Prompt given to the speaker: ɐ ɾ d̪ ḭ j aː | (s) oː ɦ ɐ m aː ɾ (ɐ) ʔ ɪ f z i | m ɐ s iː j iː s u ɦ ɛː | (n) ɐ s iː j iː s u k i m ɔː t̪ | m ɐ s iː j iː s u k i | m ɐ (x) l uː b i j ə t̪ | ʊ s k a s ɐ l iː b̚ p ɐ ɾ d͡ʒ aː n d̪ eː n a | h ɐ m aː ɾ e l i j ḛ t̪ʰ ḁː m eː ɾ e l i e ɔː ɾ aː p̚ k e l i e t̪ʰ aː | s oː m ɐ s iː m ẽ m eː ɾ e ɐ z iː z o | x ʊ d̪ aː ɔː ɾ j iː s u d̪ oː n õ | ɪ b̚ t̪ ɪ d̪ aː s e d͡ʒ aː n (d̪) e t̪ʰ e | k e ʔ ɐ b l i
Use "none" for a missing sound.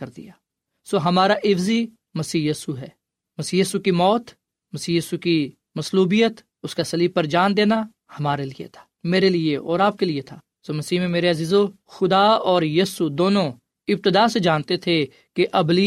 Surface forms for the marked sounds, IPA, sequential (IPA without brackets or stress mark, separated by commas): s, a, m, s, t̪